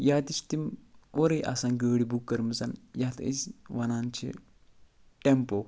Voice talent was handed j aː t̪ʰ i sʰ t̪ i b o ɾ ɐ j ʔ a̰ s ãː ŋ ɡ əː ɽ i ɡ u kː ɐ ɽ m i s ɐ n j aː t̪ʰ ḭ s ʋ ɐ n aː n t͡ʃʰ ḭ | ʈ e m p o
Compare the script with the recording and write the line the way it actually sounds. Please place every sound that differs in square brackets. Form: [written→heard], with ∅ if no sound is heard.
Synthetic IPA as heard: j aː [t̪ʰ→t̪] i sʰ t̪ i [b→m] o ɾ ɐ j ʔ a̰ s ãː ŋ ɡ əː ɽ i [ɡ→b] u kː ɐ [ɽ→ɾ] m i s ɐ n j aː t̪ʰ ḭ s ʋ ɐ n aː n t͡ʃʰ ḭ | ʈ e m p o